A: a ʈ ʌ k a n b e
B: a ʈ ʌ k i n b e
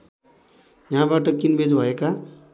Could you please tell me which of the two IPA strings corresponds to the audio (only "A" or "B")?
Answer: B